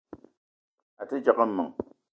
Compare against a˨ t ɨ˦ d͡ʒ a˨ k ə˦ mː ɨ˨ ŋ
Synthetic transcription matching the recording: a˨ t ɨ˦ d͡ʒ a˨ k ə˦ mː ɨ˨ ŋ